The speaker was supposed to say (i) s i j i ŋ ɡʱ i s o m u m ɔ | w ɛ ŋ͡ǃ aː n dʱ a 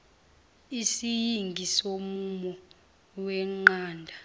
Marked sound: correct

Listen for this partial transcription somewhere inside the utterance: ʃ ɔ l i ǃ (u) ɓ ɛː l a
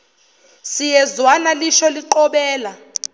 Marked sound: incorrect: ɔ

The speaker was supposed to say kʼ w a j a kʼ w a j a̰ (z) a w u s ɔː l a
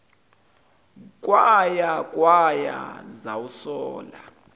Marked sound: correct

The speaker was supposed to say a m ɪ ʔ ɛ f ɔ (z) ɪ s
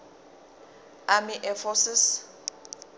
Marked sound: incorrect: s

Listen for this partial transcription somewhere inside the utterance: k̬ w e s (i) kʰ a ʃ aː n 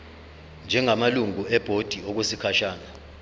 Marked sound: correct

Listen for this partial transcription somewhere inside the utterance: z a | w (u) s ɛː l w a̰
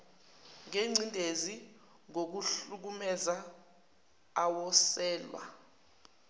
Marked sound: incorrect: ɔ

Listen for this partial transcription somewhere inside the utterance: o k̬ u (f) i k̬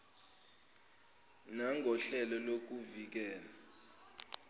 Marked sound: incorrect: v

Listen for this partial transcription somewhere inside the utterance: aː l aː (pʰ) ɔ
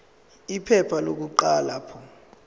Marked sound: correct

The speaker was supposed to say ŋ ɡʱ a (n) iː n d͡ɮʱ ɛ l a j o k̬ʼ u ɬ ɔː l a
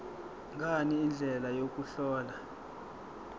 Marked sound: correct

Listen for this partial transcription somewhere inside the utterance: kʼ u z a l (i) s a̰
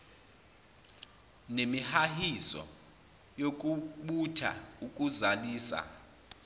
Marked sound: incorrect: iː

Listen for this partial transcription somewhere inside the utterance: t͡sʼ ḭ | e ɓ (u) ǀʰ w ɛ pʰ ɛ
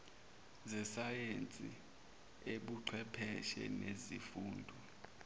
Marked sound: correct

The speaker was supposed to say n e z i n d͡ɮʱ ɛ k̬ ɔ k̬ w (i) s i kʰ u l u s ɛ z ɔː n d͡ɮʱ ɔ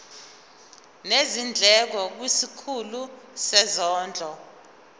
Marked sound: correct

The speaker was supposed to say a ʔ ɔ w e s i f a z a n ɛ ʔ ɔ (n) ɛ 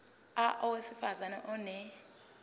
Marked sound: correct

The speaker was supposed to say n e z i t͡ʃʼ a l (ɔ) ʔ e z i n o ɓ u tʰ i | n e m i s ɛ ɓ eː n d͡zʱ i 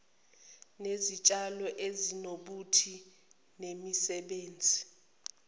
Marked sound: correct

